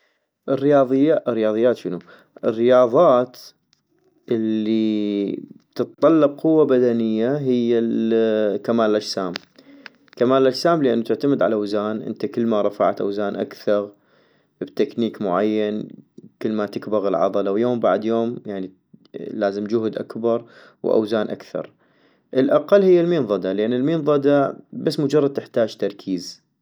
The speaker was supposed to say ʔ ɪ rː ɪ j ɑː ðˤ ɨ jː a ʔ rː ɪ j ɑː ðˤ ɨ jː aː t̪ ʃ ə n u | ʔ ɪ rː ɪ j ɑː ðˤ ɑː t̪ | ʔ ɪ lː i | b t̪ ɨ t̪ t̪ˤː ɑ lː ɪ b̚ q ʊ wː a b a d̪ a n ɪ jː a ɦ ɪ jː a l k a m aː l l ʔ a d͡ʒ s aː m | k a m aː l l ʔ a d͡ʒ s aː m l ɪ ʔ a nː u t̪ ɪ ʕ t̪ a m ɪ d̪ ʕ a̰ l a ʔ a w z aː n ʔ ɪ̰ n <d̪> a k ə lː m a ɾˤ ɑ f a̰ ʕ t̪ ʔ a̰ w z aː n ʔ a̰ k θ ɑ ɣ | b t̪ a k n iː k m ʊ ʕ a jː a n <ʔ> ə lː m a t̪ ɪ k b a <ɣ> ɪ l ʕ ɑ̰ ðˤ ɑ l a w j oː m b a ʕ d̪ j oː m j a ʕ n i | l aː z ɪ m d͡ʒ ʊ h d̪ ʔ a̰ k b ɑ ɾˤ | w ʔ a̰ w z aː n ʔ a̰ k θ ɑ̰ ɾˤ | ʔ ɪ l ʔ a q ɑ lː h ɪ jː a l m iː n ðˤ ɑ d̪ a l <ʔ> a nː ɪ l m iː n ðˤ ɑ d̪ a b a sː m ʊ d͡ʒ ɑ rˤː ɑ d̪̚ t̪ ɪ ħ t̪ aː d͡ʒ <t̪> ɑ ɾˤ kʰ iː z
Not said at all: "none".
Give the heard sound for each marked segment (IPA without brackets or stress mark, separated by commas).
t̪, k, ɣ, ʔ, t̪